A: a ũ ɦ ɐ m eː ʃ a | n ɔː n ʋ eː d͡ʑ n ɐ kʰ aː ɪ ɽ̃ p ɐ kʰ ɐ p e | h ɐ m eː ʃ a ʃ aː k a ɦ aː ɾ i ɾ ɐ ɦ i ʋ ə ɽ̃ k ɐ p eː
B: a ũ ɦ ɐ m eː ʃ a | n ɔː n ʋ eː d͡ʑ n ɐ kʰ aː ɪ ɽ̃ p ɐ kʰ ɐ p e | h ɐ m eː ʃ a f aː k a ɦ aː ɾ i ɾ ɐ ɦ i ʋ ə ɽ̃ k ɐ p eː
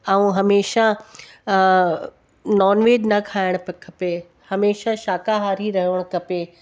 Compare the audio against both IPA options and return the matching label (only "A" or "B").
A